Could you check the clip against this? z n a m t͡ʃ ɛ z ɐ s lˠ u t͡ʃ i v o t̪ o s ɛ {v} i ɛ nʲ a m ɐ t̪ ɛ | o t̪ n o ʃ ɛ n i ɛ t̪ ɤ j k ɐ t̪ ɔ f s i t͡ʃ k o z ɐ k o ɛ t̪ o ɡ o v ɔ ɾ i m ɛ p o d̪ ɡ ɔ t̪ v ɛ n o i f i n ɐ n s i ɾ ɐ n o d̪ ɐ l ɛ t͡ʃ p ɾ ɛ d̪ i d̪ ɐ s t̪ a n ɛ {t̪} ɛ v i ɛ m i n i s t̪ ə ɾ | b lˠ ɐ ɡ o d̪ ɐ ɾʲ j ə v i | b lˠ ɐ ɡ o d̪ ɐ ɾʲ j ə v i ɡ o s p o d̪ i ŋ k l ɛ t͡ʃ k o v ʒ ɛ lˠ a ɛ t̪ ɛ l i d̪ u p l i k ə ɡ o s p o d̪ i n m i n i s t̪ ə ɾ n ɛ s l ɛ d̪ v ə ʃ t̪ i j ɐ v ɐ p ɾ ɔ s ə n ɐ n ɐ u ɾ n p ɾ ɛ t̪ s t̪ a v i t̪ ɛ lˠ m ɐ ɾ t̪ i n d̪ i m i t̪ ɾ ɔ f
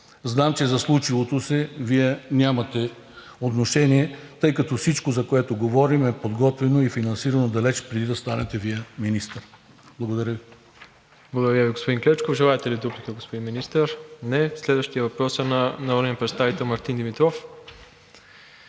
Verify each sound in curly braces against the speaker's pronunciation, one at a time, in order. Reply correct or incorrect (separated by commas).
correct, correct